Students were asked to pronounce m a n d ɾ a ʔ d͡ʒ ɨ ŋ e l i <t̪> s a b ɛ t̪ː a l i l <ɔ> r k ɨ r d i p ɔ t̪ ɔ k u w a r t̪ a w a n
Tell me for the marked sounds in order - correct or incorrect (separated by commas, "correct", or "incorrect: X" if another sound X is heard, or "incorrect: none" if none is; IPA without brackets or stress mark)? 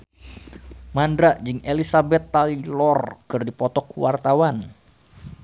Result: incorrect: none, correct